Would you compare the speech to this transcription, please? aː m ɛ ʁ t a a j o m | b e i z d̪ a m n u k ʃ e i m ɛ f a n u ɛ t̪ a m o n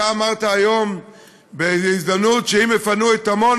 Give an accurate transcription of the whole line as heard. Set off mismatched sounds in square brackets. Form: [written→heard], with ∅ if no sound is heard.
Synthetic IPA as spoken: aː m [ɛ→a] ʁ t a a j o m | b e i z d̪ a m n u [k→t] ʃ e i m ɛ f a n u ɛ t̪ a m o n